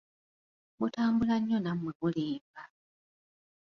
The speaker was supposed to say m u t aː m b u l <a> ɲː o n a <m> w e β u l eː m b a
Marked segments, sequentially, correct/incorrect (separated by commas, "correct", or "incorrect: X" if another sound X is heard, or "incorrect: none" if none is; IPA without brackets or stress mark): correct, correct